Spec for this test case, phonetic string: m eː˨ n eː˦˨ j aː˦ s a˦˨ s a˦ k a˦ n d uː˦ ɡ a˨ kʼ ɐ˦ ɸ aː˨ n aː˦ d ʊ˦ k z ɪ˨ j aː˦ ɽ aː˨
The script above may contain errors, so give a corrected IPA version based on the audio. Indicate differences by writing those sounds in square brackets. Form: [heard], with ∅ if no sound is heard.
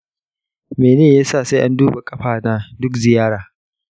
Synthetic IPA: m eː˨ n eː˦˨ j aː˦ s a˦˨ s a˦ [ʔ] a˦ n d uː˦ [b] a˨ kʼ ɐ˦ ɸ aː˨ n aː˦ d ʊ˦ k z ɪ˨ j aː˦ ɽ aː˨